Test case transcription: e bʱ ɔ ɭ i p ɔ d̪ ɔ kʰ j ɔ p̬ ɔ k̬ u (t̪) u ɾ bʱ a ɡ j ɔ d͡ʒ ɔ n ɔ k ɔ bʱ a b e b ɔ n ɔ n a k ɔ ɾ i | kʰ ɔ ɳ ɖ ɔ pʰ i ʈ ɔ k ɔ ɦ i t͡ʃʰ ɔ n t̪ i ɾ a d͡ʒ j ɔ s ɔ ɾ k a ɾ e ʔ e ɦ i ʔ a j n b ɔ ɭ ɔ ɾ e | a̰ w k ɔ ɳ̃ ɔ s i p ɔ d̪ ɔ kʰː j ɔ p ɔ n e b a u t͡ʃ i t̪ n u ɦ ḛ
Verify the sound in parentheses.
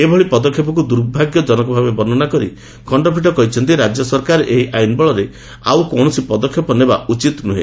incorrect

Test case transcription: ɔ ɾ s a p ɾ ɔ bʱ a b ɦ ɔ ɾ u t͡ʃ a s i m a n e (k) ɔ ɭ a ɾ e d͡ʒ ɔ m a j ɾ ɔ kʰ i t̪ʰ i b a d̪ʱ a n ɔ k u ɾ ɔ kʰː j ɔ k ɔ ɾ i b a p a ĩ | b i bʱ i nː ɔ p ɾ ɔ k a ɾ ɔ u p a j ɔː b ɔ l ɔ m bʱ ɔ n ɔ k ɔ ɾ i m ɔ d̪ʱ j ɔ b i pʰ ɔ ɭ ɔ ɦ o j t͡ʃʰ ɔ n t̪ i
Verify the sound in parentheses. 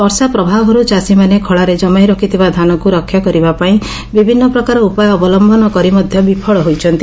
incorrect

